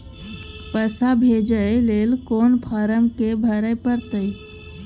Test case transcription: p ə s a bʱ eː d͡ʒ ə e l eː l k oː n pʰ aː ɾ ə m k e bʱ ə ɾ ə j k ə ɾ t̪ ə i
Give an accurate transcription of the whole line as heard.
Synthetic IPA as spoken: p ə s a bʱ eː d͡ʒ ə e l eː l k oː n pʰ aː ɾ ə m k e bʱ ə ɾ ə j p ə ɾ t̪ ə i